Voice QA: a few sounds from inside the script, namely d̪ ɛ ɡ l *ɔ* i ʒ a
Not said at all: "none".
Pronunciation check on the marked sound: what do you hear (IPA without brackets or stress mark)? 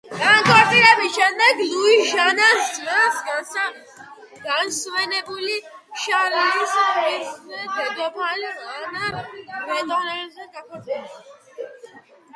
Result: u